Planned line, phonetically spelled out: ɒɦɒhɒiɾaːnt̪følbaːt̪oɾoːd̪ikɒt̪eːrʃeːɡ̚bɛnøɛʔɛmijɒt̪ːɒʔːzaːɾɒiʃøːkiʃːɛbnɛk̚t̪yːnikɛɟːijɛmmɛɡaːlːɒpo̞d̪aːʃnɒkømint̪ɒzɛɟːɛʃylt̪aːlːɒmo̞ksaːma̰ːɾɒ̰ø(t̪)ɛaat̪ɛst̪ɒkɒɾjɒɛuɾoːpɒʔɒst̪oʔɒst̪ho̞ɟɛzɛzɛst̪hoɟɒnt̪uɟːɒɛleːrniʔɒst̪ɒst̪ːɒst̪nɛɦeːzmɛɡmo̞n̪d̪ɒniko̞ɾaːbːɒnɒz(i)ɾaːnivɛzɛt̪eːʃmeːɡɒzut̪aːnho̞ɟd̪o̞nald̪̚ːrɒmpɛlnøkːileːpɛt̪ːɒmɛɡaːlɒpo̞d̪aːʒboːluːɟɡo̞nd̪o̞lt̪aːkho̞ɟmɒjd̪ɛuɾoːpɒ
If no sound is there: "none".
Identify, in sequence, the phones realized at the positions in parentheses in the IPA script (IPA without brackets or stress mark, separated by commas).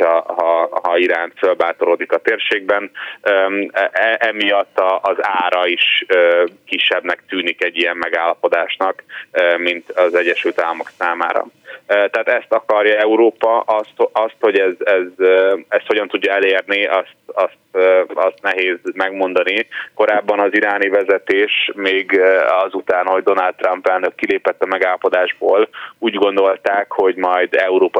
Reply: t̪, i